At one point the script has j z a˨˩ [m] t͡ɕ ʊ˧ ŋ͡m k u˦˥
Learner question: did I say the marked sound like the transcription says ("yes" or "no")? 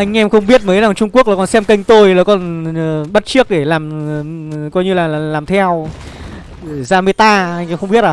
no